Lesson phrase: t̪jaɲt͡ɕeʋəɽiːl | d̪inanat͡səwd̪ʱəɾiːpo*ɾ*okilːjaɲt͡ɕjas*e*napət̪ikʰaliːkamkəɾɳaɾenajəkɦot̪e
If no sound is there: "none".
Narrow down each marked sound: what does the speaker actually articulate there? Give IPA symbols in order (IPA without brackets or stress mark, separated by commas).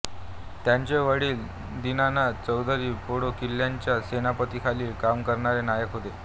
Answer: ɽ, e